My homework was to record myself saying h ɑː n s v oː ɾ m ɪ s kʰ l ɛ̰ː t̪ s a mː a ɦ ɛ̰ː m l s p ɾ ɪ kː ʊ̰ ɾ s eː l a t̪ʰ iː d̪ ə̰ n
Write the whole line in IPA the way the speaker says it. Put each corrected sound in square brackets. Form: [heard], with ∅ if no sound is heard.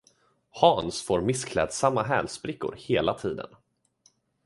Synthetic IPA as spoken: h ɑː n s [f] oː ɾ m ɪ s kʰ l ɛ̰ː [d̪] s a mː a ɦ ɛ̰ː [∅] l s p ɾ ɪ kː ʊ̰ ɾ [h] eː l a t̪ʰ iː d̪ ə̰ n